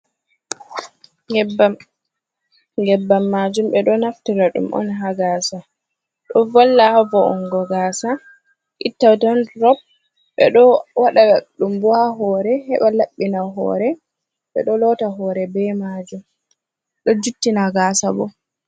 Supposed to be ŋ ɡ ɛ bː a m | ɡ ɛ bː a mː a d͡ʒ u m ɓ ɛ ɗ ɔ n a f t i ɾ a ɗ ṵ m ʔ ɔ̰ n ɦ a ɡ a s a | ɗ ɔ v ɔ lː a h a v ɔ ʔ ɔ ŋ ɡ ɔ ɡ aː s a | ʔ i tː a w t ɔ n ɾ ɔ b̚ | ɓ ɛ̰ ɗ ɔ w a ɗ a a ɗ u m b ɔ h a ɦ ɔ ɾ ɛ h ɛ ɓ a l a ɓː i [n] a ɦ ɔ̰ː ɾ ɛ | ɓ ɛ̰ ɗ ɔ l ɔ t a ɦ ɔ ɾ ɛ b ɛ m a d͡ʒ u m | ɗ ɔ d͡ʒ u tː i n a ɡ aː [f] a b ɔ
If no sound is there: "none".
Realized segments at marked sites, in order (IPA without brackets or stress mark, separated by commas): n, s